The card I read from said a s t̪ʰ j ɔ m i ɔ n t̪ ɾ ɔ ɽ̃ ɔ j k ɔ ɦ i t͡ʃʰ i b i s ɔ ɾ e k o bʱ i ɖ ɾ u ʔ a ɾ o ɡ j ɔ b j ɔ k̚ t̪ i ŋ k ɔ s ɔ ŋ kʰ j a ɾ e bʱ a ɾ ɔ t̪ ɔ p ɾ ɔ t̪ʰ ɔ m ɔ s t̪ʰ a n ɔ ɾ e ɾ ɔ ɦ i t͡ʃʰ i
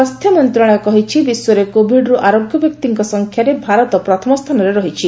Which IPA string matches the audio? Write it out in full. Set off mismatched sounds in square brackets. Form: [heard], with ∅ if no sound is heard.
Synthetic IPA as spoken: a s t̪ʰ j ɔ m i ɔ n t̪ ɾ ɔ ɽ̃ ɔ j k ɔ ɦ i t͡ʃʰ i b i s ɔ ɾ e k o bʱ i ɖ ɾ u ʔ a ɾ o ɡ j ɔ b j ɔ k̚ t̪ i ŋ k ɔ s ɔ ŋ kʰ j a ɾ e bʱ a ɾ ɔ t̪ ɔ p ɾ ɔ t̪ʰ ɔ m ɔ s t̪ʰ a n ɔ ɾ e ɾ ɔ ɦ i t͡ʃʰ i